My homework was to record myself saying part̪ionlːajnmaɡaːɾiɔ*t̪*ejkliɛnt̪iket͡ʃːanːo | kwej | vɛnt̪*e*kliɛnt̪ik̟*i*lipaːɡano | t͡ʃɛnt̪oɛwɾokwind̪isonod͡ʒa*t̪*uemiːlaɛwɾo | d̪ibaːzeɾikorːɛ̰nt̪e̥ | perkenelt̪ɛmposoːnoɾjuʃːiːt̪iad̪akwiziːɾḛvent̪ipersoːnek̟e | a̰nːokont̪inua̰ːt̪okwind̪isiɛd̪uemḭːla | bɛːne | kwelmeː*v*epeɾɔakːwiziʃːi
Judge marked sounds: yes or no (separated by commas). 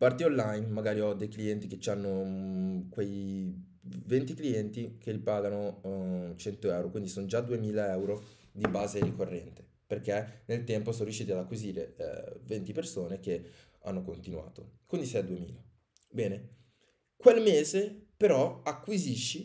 no, no, no, no, no